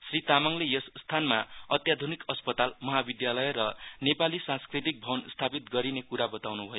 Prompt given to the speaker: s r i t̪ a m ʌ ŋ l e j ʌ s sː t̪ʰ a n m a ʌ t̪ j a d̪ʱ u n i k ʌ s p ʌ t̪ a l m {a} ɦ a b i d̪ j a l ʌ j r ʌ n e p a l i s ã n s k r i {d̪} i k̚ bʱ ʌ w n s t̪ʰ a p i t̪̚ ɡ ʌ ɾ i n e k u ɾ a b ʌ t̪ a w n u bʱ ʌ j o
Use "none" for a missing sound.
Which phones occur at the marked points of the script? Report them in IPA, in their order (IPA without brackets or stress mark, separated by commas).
ʌ, t̪